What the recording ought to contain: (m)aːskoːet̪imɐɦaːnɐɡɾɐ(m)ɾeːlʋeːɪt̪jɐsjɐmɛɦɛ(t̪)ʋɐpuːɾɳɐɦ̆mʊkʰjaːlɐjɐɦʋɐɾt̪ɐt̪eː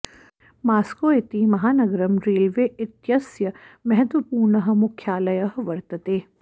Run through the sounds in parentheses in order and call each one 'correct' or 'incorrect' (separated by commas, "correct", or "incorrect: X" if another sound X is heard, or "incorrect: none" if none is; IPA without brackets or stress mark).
correct, correct, correct